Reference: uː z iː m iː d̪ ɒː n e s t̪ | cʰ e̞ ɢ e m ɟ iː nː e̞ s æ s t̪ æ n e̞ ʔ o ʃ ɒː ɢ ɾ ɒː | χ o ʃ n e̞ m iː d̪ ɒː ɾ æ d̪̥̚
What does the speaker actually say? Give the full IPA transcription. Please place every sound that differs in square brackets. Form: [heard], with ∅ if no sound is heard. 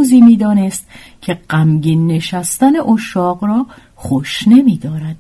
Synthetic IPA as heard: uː z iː m iː d̪ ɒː n e s t̪ | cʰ e̞ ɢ [æ] m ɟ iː nː e̞ [ʃ] æ s t̪ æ n e̞ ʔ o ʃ ɒː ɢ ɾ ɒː | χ o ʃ n e̞ m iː d̪ ɒː ɾ æ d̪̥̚